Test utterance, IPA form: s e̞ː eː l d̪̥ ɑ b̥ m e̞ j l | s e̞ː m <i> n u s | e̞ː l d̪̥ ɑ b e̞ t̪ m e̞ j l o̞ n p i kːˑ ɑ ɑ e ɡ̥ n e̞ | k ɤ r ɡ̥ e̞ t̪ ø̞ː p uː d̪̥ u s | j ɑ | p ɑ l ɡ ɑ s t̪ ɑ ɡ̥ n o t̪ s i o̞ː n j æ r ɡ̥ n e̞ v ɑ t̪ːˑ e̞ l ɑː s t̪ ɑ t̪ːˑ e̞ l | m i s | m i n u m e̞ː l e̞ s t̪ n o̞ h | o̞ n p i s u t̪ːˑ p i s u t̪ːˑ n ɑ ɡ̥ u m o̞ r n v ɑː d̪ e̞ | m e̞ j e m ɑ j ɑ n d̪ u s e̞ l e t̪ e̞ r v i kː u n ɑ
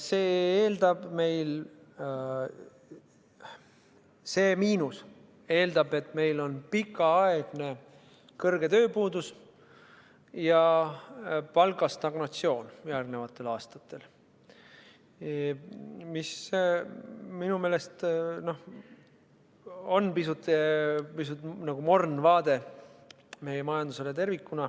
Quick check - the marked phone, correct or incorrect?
incorrect